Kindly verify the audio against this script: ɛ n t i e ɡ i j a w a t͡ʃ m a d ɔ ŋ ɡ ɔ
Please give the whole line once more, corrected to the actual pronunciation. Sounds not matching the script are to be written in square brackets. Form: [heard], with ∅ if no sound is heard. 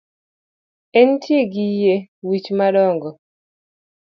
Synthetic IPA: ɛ n t [j] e ɡ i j [e] w [i] t͡ʃ m a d ɔ ŋ ɡ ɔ